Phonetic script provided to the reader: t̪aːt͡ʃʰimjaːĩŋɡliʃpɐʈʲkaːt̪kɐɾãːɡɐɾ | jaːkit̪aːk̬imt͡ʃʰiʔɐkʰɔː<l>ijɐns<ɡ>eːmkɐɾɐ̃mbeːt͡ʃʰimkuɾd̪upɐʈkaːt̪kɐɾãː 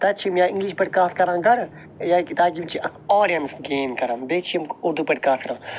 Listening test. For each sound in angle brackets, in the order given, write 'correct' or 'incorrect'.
incorrect, correct

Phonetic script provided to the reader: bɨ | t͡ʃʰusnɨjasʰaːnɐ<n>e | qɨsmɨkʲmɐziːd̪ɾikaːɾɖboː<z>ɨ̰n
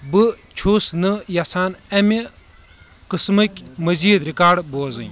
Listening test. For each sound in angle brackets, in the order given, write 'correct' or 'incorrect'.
incorrect, correct

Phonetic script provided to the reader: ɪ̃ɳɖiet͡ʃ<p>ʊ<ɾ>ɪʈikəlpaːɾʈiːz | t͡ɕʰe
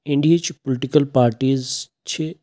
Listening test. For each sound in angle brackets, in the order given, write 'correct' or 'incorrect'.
correct, incorrect

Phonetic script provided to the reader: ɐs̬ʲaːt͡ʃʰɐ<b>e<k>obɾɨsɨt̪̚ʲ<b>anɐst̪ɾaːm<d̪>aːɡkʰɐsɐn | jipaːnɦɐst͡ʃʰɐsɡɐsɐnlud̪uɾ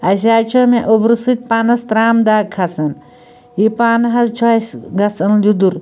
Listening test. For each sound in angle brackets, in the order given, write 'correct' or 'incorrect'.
incorrect, incorrect, incorrect, correct

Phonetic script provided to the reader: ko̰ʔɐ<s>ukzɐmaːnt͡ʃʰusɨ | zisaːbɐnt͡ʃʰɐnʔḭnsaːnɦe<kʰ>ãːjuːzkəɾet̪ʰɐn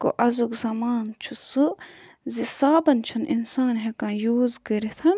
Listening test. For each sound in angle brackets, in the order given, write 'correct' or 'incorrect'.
incorrect, incorrect

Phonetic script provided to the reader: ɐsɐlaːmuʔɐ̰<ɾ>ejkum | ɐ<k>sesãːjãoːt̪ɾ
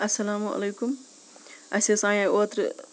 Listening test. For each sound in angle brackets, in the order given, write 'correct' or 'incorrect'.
incorrect, incorrect

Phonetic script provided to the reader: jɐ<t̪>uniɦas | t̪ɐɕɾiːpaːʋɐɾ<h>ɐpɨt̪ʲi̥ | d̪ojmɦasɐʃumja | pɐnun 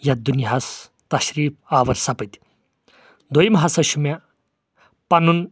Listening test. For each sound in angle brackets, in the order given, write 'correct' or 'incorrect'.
incorrect, incorrect

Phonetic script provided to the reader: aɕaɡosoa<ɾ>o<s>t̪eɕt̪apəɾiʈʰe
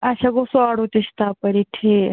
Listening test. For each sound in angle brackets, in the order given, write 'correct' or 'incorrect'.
incorrect, incorrect

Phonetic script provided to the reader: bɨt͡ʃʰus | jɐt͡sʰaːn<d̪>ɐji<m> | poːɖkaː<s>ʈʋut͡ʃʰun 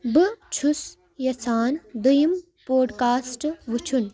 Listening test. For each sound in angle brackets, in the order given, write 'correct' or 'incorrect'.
correct, correct, correct

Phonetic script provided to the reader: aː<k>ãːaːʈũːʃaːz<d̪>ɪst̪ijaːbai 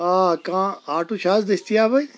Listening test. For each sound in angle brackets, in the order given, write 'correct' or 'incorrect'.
correct, correct

